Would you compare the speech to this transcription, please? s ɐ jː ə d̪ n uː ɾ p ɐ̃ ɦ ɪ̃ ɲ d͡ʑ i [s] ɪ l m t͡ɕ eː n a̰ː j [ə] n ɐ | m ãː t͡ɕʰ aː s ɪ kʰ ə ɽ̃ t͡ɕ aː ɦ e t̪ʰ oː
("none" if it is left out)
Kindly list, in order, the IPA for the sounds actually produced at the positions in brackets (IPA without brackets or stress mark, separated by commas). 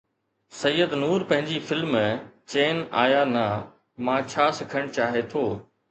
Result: f, a